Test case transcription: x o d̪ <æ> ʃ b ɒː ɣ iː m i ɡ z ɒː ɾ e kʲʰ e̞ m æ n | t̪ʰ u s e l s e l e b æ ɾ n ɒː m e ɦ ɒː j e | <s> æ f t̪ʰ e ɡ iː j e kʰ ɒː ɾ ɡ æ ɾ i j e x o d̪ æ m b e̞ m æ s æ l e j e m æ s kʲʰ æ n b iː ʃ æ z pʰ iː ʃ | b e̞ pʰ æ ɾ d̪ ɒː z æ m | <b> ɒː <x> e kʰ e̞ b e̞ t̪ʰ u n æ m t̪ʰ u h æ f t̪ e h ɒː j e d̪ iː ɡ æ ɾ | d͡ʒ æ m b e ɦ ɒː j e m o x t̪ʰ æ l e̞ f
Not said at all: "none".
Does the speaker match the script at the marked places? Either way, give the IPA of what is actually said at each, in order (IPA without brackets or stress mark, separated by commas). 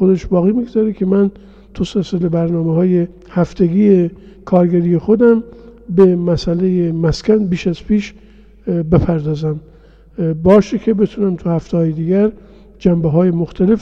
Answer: e, h, b, ʃ